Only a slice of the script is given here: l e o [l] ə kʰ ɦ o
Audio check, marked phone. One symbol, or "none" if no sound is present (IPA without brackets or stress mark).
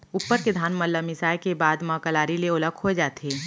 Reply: l